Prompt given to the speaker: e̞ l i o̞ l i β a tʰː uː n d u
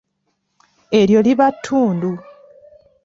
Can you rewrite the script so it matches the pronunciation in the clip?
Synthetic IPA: e̞ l j o̞ l i β a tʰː uː n d u